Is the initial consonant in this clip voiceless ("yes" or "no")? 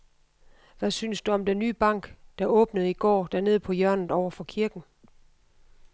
no